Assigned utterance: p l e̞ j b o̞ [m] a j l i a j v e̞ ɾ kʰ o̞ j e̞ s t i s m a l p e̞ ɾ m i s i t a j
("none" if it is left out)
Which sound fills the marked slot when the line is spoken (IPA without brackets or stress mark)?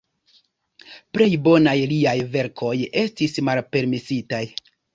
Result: n